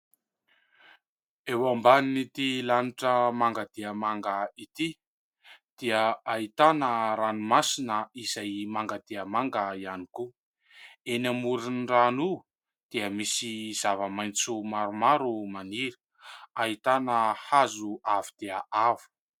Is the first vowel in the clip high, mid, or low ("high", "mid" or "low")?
mid